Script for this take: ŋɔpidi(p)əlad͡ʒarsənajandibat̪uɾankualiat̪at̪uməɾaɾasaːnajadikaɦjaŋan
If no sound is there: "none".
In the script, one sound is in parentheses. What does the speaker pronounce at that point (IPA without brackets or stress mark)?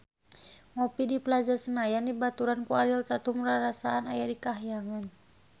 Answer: p